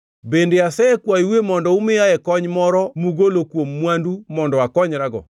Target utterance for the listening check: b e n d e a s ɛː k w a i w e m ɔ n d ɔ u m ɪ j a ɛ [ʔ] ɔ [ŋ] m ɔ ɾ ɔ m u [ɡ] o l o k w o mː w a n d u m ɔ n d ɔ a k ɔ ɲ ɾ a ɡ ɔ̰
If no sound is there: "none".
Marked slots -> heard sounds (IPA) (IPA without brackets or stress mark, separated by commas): k, ɲ, ɡ